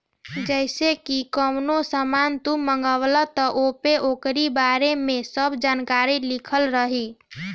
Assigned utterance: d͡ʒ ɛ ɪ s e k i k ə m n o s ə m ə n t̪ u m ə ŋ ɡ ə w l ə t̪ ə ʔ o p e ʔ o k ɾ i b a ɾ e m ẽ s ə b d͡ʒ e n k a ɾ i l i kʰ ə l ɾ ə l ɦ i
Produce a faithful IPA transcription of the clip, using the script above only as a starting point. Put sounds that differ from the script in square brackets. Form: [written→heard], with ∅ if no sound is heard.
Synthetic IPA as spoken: d͡ʒ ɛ ɪ s e k i k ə m n o s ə m [ə→a] n t̪ u m ə ŋ ɡ ə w l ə t̪ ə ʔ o p e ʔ o k ɾ i b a ɾ e m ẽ s ə b d͡ʒ [e→a] n k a ɾ i l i kʰ ə l ɾ ə [l→∅] ɦ i